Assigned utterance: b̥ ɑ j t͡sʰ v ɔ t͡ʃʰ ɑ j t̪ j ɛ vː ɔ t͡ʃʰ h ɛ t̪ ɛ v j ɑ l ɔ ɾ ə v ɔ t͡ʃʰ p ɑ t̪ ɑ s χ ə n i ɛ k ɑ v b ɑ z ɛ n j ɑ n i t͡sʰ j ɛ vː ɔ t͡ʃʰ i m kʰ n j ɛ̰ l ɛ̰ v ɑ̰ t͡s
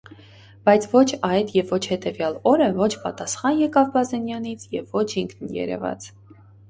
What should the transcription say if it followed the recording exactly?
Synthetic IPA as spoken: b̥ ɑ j t͡sʰ v ɔ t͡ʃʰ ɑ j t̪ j ɛ vː ɔ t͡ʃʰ h ɛ t̪ ɛ v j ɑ l ɔ ɾ ə v ɔ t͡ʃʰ p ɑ t̪ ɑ s χ ɑ n j ɛ k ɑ v b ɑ z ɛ n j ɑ n i t͡sʰ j ɛ vː ɔ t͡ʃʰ i ŋ kʰ n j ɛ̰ ɾ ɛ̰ v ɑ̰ t͡s

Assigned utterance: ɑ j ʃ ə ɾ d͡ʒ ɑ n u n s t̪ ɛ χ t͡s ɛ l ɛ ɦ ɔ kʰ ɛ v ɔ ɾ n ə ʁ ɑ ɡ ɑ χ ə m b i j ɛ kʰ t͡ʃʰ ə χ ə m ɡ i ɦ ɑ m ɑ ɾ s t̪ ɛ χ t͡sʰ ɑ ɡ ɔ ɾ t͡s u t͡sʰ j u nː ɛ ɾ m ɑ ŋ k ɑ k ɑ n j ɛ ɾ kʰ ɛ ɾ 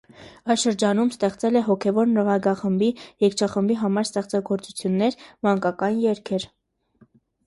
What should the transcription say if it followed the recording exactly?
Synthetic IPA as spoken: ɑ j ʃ ə ɾ d͡ʒ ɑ n u m s t̪ ɛ χ t͡s ɛ l ɛ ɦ ɔ kʰ ɛ v ɔ ɾ n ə ʁ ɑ ɡ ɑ χ ə m b i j ɛ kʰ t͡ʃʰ ɑ χ ə m b i ɦ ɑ m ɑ ɾ s t̪ ɛ χ t͡s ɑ ɡ ɔ ɾ t͡s u t͡sʰ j u nː ɛ ɾ m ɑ ŋ k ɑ k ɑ n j ɛ ɾ kʰ ɛ ɾ

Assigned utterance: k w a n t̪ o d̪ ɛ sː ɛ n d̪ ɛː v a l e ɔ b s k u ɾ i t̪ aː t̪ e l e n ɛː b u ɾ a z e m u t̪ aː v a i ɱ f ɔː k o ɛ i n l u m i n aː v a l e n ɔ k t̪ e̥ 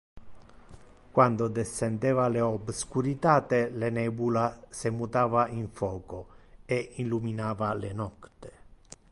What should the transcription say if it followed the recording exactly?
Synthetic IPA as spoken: k w a n d̪ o d̪ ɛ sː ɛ n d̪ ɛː v a l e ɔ b s k u ɾ i t̪ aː t̪ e l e n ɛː b u l a s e m u t̪ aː v a i ɱ f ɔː k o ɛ i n l u m i n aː v a l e n ɔ k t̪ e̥

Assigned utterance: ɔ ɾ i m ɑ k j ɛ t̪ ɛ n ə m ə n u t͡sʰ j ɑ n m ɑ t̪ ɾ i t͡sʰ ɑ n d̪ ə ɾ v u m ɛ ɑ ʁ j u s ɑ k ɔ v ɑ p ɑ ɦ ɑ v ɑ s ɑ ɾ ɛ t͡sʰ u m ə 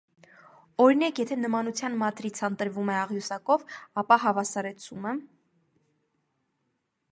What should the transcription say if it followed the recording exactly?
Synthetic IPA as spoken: ɔ ɾ i n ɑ k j ɛ t̪ʰ ɛ n ə m ɑ n u t͡sʰ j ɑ n m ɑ t̪ ɾ i t͡sʰ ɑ n t̪ ə ɾ v u m ɛ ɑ ʁ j u s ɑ k ɔ v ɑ p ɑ ɦ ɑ v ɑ s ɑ ɾ ɛ t͡sʰ u m ə

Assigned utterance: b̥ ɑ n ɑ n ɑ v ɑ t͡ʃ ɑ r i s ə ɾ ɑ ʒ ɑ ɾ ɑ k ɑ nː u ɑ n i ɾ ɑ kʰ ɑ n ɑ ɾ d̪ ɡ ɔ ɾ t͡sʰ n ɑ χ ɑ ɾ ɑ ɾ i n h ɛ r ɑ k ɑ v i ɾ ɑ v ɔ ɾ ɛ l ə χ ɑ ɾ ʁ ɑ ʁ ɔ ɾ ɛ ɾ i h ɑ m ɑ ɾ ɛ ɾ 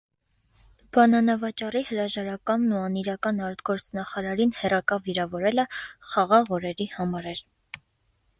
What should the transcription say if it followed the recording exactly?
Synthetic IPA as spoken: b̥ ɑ n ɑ n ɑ v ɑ t͡ʃ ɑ r i h ə ɾ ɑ ʒ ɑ ɾ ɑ k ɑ nː u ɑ n i ɾ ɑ k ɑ n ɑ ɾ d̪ ɡ ɔ ɾ t͡sʰ n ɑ χ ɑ ɾ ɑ ɾ i n h ɛ r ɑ k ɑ v i ɾ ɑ v ɔ ɾ ɛ l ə χ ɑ ʁ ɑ ʁ ɔ ɾ ɛ ɾ i h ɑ m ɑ ɾ ɛ ɾ

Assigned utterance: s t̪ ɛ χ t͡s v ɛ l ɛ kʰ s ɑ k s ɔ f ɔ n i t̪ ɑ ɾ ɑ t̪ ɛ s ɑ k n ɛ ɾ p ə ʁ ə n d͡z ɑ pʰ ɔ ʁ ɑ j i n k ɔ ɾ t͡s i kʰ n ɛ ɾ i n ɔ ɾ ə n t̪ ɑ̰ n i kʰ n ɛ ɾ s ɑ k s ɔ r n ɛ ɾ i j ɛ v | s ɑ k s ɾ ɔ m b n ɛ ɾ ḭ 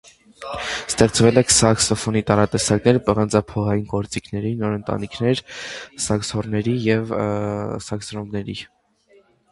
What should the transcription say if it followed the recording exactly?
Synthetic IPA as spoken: s t̪ ɛ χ t͡s v ɛ l ɛ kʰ s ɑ k s ɔ f ɔ n i t̪ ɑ ɾ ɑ t̪ ɛ s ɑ k n ɛ ɾ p ə ʁ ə n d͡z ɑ pʰ ɔ ʁ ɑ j i n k ɔ ɾ t͡s i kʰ n ɛ ɾ i n ɔ ɾ ə n t̪ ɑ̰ n i kʰ n ɛ ɾ s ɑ k s ɔ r n ɛ ɾ i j ɛ v | s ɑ k s ɾ ɔ m b n ɛ ɾ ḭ

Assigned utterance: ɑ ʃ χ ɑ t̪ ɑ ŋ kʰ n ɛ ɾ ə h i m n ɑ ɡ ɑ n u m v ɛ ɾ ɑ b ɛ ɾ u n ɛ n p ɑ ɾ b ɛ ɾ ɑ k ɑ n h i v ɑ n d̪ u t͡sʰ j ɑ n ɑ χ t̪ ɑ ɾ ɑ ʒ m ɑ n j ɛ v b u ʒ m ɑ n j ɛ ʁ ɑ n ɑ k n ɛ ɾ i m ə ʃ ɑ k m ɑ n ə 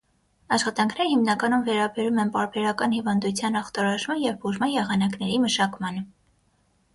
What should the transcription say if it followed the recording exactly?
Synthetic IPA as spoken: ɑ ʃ χ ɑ t̪ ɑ ŋ kʰ n ɛ ɾ ə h i m n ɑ k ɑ n u m v ɛ ɾ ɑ b ɛ ɾ u m ɛ n p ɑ ɾ b ɛ ɾ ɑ k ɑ n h i v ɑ n d̪ u t͡sʰ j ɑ n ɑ χ t̪ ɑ ɾ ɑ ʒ m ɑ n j ɛ v b u ʒ m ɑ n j ɛ ʁ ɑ n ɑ k n ɛ ɾ i m ə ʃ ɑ k m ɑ n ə

